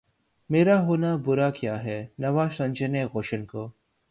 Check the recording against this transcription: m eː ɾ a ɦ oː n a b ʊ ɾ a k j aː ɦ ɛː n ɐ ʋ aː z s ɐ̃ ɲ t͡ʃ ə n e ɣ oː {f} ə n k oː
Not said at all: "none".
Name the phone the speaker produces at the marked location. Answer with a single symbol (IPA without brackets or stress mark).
ʃ